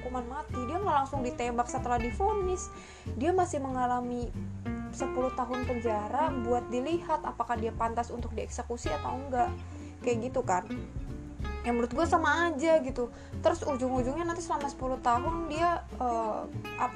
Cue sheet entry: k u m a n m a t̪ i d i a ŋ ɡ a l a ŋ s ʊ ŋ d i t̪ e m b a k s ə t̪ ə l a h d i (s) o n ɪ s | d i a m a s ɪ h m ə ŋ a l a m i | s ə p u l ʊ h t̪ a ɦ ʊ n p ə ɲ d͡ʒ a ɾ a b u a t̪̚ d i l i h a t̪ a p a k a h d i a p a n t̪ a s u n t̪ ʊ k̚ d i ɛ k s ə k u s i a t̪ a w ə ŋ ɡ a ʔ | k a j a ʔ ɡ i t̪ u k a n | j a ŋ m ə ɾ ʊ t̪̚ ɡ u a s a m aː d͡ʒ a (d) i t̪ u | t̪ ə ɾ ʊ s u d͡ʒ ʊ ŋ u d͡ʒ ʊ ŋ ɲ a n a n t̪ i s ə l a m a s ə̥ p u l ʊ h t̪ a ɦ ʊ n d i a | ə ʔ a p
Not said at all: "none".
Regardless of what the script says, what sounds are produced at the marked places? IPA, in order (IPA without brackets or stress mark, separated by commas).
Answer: f, ɡ